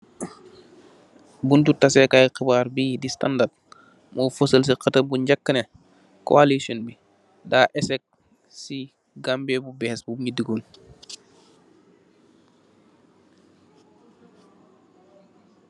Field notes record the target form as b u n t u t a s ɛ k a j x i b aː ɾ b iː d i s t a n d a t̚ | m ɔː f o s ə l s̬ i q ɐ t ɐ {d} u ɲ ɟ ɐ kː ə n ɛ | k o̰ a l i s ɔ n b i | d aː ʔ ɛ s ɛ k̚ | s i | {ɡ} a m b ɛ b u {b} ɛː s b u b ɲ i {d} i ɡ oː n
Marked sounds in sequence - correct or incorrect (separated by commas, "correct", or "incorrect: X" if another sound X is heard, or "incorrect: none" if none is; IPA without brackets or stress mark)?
incorrect: b, correct, correct, correct